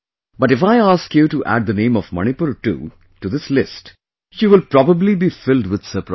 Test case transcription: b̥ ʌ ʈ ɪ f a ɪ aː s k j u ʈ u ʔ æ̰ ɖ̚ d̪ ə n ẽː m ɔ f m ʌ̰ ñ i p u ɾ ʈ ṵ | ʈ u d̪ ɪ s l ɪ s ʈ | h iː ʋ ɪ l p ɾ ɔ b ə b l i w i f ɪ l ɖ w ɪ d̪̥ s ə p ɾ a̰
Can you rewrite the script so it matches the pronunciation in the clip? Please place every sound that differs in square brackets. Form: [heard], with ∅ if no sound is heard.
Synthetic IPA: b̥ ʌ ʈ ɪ f a ɪ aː s k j u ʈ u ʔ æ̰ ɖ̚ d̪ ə n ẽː m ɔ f m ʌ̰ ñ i p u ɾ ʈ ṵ | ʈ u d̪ ɪ s l ɪ s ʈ | [ʃ] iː ʋ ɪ l p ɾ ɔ b ə b l i [b] i f ɪ l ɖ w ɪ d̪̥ s ə p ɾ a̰